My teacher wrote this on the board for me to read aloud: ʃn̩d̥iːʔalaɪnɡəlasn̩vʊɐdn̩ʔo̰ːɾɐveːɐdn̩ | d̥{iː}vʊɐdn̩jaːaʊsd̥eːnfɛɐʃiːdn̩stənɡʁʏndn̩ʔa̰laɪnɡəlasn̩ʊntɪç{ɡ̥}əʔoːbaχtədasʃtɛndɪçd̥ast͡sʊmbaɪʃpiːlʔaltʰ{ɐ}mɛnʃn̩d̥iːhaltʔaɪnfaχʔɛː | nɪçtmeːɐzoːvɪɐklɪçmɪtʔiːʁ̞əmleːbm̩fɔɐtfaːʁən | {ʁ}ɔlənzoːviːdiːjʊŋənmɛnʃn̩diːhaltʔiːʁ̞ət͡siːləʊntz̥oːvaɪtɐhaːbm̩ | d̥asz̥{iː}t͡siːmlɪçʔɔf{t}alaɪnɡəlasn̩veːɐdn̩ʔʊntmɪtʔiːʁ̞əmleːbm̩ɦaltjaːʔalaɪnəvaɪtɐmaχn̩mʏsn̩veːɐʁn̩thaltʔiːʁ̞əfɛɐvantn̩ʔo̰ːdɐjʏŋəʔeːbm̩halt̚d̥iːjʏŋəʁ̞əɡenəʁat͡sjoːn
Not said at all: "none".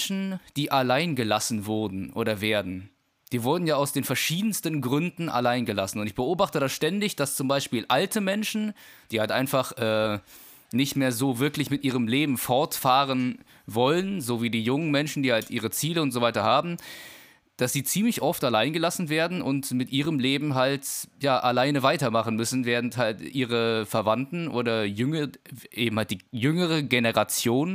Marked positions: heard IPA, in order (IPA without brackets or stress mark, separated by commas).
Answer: iː, b̥, ə, v, iː, t